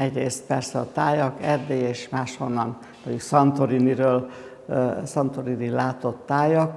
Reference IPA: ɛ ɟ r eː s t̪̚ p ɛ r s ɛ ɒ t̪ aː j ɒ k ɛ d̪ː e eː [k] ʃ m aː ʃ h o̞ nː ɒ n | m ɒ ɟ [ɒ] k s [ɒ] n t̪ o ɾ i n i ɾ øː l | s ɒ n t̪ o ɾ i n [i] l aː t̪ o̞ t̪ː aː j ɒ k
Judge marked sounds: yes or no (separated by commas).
no, no, yes, yes